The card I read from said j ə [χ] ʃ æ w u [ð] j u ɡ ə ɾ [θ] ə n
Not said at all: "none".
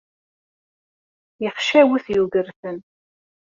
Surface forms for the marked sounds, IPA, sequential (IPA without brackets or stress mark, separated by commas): χ, θ, θ